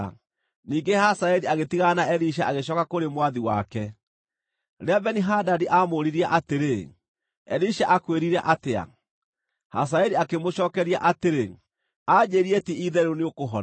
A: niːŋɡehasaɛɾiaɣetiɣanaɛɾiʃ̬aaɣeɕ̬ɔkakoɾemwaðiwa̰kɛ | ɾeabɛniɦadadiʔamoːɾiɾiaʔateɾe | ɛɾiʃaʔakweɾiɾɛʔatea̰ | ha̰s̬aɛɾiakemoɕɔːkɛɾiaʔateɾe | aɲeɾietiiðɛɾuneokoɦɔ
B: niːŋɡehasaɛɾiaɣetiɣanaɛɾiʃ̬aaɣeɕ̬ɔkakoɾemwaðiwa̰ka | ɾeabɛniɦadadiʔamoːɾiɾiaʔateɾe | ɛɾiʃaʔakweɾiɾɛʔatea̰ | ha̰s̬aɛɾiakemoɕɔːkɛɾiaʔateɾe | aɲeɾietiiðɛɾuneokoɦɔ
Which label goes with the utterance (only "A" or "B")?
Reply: A